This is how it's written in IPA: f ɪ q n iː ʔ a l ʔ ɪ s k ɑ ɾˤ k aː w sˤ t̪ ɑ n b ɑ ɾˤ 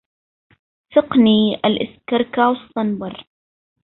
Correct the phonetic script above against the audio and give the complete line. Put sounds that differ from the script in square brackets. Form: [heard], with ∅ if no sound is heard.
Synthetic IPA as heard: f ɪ q n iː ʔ a l ʔ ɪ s k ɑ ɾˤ k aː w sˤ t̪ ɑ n b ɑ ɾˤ